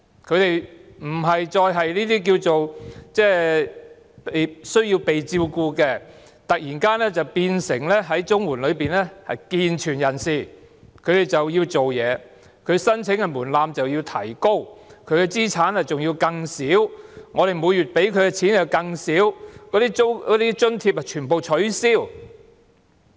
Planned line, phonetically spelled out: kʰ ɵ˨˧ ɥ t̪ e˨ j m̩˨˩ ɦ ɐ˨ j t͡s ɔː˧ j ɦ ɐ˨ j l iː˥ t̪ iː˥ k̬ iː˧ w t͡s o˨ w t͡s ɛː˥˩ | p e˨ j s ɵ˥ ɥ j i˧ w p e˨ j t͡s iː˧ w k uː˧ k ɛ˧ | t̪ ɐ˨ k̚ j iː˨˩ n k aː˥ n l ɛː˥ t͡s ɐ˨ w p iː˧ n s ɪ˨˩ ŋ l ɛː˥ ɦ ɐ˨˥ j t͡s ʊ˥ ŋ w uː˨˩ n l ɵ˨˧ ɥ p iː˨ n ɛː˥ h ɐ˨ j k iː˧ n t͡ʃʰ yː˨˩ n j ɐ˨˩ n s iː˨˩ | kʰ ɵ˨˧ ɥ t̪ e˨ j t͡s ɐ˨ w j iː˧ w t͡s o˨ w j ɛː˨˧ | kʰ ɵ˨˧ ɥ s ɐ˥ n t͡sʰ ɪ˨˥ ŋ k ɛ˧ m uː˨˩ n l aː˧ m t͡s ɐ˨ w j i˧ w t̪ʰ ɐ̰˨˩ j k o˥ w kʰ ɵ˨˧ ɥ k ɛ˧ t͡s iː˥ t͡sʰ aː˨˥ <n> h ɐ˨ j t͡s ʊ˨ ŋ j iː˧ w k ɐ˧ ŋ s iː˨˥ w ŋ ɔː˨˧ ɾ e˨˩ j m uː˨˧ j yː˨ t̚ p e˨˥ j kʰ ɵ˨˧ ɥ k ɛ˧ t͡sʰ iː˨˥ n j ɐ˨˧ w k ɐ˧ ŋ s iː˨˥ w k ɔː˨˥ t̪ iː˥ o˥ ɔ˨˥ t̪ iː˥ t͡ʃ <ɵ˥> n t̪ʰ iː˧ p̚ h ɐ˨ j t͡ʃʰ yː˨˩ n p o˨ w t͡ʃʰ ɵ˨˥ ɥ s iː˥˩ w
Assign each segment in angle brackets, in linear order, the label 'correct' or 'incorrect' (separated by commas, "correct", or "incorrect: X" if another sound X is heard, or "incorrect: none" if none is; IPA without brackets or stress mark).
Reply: correct, correct